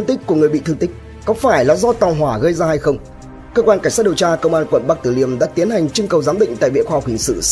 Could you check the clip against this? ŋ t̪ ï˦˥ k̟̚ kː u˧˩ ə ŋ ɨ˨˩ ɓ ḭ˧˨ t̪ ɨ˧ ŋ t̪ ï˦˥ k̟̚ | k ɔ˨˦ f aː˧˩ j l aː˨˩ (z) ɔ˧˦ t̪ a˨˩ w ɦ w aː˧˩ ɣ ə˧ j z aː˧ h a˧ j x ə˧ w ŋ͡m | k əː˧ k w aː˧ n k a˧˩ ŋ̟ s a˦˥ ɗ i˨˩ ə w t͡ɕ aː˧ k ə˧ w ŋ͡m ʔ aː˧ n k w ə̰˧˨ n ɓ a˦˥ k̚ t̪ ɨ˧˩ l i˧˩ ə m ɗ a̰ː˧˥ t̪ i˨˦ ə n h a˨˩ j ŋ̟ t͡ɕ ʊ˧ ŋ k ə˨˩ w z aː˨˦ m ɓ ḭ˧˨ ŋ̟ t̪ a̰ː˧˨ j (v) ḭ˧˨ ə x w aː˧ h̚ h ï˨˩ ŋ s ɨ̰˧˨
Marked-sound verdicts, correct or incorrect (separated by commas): correct, correct